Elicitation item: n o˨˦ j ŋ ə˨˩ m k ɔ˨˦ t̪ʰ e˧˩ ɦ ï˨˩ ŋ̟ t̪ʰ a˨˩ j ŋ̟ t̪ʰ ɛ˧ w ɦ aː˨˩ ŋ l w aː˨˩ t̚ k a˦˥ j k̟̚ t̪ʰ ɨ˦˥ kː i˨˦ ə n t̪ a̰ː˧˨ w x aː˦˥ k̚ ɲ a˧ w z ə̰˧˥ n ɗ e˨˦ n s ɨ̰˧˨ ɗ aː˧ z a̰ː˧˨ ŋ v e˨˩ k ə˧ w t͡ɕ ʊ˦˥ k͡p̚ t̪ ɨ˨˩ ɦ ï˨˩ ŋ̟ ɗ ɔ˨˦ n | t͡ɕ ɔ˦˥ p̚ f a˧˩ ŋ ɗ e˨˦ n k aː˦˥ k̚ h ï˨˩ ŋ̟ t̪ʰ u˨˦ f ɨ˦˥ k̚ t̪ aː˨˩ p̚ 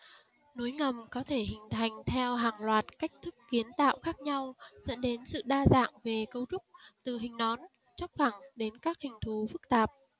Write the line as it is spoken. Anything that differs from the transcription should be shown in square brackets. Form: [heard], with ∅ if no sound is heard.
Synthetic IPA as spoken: n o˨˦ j ŋ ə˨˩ m k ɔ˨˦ t̪ʰ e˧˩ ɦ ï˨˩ ŋ̟ t̪ʰ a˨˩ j ŋ̟ t̪ʰ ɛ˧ w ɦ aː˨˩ ŋ l w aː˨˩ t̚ k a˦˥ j k̟̚ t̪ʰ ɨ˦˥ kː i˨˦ ə n t̪ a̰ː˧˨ w x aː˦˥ k̚ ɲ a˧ w z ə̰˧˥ n ɗ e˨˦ n s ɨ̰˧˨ ɗ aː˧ z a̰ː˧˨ ŋ v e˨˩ k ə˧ w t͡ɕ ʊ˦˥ k͡p̚ t̪ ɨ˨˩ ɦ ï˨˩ ŋ̟ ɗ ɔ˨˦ n | t͡ɕ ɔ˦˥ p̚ f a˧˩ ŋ ɗ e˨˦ n k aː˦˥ k̚ h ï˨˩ ŋ̟ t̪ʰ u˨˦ f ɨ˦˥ k̚ t̪ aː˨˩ p̚

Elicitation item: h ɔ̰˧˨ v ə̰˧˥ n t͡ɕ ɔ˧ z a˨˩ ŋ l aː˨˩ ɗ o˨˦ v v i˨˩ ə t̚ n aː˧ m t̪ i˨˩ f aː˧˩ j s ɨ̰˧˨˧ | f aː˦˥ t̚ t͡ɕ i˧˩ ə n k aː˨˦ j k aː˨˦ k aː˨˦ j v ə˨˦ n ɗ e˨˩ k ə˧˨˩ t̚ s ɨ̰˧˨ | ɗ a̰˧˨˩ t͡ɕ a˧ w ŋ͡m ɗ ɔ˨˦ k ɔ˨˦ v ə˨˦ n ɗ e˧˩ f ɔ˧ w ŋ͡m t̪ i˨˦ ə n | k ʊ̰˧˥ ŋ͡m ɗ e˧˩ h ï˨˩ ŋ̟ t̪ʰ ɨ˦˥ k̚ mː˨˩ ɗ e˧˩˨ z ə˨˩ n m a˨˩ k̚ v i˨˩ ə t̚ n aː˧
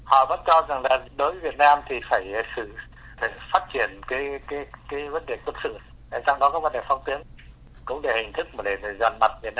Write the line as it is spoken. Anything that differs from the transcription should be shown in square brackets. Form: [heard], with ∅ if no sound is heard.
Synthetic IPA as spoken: h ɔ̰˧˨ v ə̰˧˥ n t͡ɕ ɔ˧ z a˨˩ ŋ l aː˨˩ ɗ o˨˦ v v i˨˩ ə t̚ n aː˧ m [t̪ʰ] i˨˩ f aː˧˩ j s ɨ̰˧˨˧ | f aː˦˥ t̚ t͡ɕ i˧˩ ə n k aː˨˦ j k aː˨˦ k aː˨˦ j v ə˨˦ n ɗ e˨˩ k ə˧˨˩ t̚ s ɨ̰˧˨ | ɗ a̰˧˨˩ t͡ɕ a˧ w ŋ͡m ɗ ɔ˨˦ k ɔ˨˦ v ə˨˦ n ɗ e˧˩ f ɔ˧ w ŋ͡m t̪ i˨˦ ə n | k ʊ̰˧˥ ŋ͡m ɗ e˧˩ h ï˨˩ ŋ̟ t̪ʰ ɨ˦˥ k̚ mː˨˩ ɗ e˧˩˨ z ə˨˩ n m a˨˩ [t̚] v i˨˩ ə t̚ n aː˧

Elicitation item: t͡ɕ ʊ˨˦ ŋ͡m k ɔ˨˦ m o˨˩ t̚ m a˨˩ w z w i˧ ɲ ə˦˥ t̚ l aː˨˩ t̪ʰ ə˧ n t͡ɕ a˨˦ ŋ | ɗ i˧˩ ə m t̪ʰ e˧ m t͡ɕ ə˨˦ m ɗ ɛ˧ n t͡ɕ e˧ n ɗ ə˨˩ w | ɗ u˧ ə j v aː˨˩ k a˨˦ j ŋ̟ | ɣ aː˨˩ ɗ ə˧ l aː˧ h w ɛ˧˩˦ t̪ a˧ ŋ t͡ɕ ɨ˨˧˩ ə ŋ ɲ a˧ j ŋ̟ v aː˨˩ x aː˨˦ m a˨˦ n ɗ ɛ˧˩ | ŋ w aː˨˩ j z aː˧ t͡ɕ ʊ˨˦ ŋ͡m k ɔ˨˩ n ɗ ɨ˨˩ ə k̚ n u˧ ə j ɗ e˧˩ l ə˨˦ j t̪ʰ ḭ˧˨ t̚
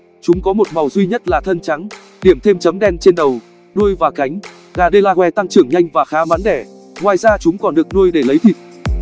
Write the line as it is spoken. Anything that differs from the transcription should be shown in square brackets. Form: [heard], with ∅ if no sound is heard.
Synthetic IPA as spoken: t͡ɕ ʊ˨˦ ŋ͡m k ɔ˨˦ m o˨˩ t̚ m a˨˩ w z w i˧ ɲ ə˦˥ t̚ l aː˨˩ t̪ʰ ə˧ n t͡ɕ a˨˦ ŋ | ɗ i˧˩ ə m t̪ʰ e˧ m t͡ɕ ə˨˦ m ɗ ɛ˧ n t͡ɕ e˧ n ɗ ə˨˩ w | ɗ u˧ ə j v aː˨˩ k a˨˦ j ŋ̟ | ɣ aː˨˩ ɗ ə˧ l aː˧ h w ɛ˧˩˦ t̪ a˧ ŋ t͡ɕ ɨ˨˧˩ ə ŋ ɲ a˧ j ŋ̟ v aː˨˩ x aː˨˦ m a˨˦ n ɗ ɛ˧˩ | ŋ w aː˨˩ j z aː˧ t͡ɕ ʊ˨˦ ŋ͡m k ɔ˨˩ n ɗ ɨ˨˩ ə k̚ n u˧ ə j ɗ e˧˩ l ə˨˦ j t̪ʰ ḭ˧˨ t̚

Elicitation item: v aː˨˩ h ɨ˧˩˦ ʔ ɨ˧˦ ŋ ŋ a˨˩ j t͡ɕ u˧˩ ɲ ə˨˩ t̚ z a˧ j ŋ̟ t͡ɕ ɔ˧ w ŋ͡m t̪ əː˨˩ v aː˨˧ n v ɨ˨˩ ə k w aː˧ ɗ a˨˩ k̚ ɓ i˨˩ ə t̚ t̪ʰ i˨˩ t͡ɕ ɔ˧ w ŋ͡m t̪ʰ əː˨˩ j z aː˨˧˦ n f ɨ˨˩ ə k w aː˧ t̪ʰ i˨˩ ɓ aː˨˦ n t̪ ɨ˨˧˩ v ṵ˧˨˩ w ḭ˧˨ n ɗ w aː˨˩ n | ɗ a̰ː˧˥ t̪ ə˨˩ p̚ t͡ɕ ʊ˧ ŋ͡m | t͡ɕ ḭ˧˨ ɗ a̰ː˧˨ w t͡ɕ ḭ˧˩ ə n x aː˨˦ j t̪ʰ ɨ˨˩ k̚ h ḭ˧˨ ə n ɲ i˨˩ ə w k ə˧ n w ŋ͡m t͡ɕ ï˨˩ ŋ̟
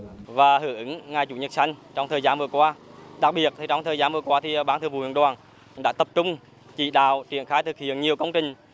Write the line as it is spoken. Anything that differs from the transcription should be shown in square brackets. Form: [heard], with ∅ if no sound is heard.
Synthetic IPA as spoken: v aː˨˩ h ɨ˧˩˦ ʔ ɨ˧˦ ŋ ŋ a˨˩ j t͡ɕ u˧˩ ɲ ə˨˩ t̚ [s] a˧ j ŋ̟ t͡ɕ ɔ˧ w ŋ͡m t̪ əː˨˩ [z] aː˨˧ n v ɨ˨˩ ə k w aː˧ ɗ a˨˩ k̚ ɓ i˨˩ ə t̚ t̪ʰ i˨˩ t͡ɕ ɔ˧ w ŋ͡m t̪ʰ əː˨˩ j z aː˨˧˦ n [v] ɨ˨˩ ə k w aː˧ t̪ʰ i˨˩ ɓ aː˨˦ n t̪ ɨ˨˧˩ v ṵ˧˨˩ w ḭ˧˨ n ɗ w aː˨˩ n | ɗ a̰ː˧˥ t̪ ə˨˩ p̚ t͡ɕ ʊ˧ ŋ͡m | t͡ɕ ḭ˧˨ ɗ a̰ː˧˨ w t͡ɕ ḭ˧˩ ə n x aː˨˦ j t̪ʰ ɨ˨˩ k̚ h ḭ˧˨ ə n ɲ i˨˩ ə w k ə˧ [∅] w ŋ͡m t͡ɕ ï˨˩ ŋ̟

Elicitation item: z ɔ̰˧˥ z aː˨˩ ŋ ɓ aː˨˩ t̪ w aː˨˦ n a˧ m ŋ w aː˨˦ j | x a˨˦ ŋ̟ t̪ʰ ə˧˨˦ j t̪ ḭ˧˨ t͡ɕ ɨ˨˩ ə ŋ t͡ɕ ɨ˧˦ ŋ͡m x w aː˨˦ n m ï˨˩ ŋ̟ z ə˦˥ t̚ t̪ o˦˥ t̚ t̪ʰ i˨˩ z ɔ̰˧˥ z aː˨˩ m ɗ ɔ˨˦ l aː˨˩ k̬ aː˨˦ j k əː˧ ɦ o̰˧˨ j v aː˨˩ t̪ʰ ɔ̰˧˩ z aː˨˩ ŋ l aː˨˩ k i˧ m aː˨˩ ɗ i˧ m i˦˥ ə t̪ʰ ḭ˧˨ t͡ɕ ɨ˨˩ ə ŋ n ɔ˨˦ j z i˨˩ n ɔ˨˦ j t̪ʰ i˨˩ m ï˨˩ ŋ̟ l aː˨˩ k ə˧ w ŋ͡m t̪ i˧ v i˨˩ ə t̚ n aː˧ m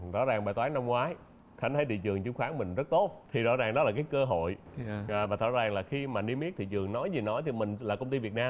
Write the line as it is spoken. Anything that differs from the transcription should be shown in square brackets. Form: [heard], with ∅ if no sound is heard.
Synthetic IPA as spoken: z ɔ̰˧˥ z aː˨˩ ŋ ɓ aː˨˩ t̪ w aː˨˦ n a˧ m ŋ w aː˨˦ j | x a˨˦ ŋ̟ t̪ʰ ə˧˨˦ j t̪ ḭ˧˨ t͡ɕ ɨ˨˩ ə ŋ t͡ɕ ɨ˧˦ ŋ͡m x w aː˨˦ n m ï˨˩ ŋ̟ z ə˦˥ t̚ t̪ o˦˥ t̚ t̪ʰ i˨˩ z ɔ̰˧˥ z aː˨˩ [ŋ] ɗ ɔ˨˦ l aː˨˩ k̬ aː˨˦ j k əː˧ ɦ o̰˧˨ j v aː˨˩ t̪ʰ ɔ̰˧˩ z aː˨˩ ŋ l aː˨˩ [x] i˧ m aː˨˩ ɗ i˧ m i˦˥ ə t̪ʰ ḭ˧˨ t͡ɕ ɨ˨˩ ə ŋ n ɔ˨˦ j z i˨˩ n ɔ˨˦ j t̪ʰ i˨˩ m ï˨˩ ŋ̟ l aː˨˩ k ə˧ w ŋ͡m t̪ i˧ v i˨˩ ə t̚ n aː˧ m

